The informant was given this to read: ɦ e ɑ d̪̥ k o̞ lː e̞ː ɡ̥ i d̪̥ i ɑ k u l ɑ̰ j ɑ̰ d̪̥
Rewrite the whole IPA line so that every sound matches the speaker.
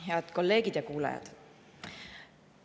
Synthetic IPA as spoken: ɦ e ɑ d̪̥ k o̞ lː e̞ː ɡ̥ i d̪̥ j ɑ k uː l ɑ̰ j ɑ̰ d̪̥